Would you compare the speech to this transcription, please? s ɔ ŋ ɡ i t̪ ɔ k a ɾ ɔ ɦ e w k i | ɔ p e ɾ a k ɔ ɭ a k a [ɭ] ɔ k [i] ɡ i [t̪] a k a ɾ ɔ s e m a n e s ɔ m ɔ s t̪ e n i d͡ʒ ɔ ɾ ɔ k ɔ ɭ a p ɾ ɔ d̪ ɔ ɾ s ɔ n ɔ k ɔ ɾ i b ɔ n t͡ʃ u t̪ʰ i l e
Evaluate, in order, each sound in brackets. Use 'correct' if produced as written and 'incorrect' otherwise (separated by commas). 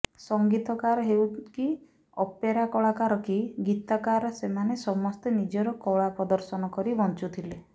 incorrect, correct, correct